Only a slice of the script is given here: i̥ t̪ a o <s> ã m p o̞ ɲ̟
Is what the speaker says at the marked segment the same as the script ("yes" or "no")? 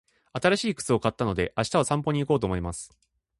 yes